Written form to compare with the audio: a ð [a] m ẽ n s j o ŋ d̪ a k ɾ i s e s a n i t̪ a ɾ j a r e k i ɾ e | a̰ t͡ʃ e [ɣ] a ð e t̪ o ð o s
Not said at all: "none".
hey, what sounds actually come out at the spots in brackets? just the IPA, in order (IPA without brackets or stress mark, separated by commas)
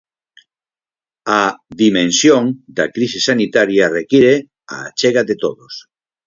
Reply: i, ɣ